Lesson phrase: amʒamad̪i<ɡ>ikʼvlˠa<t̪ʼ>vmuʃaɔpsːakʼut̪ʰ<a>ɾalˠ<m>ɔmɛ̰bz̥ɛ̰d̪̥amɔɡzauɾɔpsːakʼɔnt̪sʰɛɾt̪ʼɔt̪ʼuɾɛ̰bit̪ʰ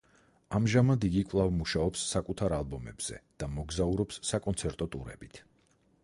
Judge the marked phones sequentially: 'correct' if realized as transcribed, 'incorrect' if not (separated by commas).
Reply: correct, incorrect, correct, incorrect